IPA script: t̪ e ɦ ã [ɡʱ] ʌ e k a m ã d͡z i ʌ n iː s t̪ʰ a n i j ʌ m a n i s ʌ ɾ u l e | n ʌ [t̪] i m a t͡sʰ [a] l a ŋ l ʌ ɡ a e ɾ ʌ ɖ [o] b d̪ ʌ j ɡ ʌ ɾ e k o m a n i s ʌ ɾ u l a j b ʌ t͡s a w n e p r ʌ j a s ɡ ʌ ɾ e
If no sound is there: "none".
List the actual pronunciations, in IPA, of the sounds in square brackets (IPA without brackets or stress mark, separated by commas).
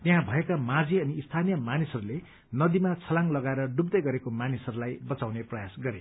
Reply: bʱ, d̪, ʌ, u